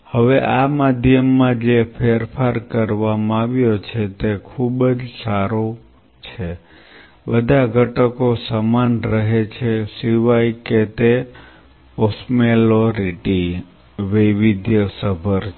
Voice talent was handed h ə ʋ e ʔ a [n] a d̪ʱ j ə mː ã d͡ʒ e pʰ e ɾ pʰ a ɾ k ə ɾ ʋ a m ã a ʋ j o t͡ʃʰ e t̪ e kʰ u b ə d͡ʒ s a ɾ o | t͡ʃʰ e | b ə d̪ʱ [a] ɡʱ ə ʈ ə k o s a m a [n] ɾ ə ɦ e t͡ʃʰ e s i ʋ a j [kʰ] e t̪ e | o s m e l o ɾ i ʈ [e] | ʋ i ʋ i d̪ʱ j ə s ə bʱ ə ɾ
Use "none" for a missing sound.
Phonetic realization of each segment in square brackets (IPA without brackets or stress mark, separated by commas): m, a, n, k, i